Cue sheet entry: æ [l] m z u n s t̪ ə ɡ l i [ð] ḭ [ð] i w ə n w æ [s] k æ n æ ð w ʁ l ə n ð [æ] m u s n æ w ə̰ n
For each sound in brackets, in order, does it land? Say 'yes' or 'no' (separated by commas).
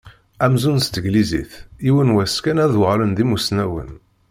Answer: no, no, no, yes, no